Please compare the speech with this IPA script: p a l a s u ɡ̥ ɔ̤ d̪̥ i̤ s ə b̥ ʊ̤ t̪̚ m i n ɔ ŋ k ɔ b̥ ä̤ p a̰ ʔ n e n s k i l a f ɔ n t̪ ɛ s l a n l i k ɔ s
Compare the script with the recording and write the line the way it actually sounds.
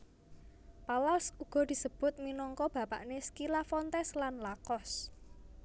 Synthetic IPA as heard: p a l a s u ɡ̥ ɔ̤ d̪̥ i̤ s ə b̥ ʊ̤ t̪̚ m i n ɔ ŋ k ɔ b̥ ä̤ p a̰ ʔ n e s k i l a f ɔ n t̪ ɛ s l a n l a k ɔ s